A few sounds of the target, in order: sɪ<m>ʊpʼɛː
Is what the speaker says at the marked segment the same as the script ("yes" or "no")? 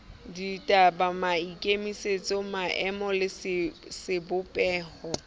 no